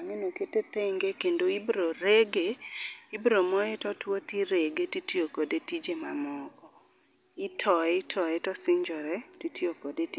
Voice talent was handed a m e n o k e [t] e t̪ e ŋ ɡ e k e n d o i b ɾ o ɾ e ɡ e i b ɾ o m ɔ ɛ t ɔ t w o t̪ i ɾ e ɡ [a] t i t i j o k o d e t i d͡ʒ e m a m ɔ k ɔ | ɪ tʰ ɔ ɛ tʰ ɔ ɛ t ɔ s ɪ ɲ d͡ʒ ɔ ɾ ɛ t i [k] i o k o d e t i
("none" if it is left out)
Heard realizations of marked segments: t, e, t

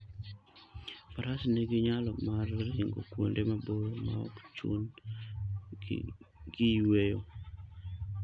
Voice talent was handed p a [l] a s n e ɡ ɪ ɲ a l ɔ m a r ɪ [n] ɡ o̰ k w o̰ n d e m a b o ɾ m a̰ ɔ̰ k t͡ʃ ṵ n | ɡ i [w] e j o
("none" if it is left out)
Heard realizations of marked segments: ɾ, ŋ, w

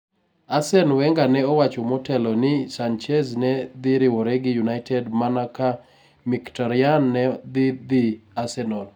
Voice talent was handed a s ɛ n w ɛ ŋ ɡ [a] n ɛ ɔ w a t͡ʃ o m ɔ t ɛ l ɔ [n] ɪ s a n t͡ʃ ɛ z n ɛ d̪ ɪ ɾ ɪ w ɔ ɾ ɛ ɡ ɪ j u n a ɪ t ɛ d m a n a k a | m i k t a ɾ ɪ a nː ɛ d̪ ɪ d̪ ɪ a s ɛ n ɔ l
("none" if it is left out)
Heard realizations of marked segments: a, n

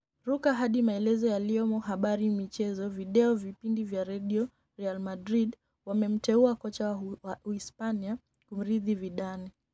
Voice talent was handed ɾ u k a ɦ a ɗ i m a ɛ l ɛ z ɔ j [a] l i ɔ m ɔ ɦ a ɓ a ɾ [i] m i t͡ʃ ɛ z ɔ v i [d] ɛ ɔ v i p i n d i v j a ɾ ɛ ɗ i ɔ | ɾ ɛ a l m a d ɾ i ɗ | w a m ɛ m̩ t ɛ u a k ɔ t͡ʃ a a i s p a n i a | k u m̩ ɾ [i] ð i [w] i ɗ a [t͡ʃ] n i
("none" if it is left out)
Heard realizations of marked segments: a, i, ɗ, i, v, none

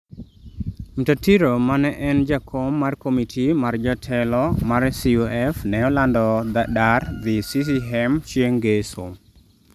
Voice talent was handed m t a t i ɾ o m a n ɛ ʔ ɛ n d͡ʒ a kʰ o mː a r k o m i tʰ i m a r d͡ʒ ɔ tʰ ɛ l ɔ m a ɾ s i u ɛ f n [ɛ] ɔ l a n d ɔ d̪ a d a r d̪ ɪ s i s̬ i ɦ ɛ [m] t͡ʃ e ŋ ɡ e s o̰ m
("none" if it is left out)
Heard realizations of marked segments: ɛ, m

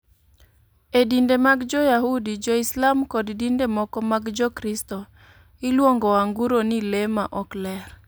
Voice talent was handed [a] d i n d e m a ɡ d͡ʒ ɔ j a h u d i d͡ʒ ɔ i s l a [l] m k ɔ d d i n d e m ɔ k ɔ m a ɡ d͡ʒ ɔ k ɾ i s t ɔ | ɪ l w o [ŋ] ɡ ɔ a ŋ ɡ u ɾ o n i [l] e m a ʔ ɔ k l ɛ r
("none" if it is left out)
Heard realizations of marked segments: e, none, ŋ, l

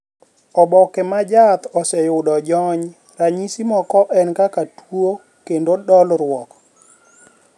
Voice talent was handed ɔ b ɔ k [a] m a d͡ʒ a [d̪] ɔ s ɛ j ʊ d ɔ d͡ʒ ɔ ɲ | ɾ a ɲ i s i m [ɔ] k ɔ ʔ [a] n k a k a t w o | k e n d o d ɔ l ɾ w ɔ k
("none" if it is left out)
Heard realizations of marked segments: ɛ, t̪, ɔ, ɛ

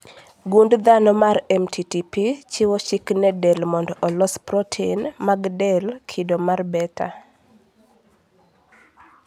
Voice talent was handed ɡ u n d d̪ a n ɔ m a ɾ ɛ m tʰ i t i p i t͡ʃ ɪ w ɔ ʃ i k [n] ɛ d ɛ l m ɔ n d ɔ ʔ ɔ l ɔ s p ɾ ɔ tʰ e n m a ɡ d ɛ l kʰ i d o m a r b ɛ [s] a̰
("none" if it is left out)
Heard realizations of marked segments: n, t

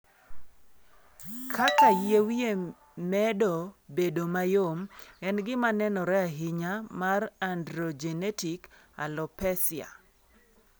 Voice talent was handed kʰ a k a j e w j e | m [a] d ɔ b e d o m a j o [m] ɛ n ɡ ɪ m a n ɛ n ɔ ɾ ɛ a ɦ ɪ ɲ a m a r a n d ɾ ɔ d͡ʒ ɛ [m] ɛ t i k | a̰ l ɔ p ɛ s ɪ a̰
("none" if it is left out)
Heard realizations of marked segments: ɛ, m, n

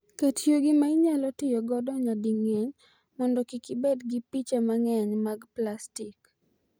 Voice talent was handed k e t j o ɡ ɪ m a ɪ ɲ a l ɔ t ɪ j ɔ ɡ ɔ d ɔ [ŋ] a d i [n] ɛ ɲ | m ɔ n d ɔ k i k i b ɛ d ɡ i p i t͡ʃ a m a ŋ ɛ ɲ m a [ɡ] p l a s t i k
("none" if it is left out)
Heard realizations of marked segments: ɲ, ŋ, ɡ

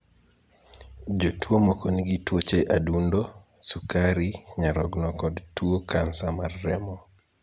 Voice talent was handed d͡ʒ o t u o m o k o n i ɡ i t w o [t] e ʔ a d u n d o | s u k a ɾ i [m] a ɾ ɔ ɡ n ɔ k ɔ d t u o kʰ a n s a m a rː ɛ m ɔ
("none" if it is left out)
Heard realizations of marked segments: t͡ʃ, ɲ

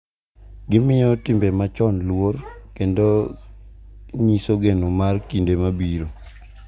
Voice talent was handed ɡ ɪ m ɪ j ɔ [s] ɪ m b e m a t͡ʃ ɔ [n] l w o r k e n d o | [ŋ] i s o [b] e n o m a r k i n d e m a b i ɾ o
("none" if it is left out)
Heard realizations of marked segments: t, n, ɲ, ɡ

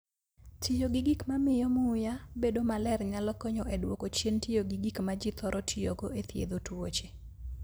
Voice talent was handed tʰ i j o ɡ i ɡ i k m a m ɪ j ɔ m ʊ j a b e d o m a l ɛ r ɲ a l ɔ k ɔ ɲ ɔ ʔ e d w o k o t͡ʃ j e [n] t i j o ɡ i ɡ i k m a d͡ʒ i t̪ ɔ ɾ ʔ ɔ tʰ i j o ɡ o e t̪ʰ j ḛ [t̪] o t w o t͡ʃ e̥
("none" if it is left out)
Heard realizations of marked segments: n, d̪

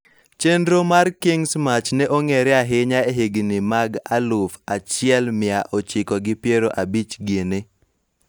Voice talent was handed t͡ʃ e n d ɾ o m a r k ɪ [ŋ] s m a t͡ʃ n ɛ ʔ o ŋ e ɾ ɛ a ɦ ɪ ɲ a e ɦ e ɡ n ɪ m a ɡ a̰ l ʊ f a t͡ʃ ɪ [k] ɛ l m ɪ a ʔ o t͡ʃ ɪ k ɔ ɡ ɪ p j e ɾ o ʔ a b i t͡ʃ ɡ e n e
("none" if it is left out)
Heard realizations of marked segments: ŋ, none

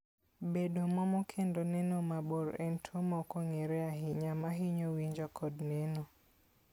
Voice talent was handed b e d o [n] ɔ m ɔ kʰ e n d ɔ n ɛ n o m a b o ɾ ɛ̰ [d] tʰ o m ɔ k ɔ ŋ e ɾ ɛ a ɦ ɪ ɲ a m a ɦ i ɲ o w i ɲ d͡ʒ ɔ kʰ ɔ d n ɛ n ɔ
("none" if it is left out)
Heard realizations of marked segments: m, n

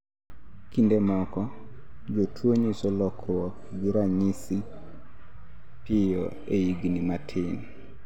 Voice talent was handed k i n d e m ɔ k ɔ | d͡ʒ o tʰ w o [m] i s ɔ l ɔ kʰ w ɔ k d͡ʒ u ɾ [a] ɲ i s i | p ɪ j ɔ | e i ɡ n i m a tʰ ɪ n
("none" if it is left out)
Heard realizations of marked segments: ɲ, a

